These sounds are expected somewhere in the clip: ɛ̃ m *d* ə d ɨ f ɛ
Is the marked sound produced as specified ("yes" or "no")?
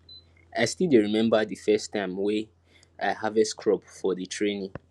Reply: no